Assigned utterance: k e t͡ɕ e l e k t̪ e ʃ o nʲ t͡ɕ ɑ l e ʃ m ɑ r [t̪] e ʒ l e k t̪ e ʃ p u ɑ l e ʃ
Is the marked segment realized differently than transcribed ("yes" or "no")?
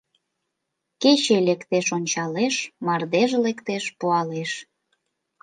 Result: yes